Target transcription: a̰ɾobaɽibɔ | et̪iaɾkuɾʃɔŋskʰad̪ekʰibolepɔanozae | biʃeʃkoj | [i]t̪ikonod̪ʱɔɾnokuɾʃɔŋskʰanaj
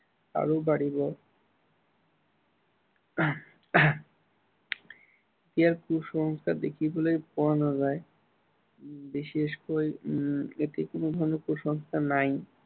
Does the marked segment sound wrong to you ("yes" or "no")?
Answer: yes